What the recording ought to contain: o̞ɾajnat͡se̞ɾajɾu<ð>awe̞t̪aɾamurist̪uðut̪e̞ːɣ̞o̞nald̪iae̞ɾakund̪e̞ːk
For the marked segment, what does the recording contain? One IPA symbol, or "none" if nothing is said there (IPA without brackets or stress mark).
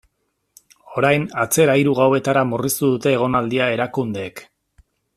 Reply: ɣ